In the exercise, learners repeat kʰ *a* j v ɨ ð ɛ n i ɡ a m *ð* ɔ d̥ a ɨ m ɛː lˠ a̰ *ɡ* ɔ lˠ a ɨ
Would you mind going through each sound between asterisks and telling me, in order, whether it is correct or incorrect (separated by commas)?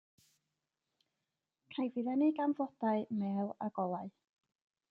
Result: correct, incorrect, correct